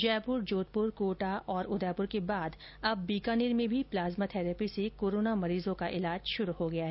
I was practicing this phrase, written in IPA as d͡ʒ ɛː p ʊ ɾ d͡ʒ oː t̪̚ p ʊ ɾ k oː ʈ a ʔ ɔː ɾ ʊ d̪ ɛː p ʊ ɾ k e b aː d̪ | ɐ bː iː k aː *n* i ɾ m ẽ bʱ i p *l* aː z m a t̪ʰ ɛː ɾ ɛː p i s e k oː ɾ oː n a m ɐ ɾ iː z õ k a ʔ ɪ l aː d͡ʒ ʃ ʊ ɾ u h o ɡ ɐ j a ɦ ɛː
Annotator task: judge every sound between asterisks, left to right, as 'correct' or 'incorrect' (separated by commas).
correct, correct